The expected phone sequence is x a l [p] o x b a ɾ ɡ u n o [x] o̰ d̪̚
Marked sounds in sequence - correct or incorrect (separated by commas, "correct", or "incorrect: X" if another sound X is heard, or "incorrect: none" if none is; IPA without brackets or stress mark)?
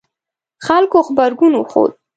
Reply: incorrect: k, correct